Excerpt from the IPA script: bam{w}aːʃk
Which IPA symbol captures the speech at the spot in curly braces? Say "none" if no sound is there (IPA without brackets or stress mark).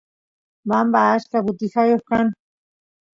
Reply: b